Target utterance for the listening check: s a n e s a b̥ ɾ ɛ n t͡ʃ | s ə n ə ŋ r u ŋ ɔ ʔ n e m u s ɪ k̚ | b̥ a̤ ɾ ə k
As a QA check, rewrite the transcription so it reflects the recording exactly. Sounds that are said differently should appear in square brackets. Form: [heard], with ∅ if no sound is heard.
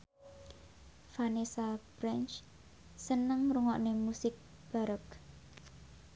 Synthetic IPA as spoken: [f] a n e s a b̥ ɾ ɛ n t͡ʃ | s ə n ə ŋ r u ŋ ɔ ʔ n e m u s ɪ k̚ | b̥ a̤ ɾ ə k